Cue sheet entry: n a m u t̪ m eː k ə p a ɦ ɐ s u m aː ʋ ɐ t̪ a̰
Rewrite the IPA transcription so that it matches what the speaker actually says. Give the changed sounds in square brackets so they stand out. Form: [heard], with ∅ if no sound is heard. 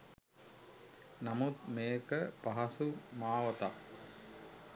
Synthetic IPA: n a m u t̪ m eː k ə p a ɦ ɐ s u m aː ʋ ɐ t̪ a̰